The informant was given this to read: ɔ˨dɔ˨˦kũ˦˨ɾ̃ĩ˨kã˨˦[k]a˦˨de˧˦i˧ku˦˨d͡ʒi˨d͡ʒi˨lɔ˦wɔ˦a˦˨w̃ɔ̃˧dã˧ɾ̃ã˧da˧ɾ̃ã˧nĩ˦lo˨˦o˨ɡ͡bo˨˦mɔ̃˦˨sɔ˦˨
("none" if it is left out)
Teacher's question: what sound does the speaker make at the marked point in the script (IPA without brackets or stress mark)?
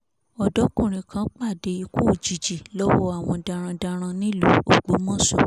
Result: k͡p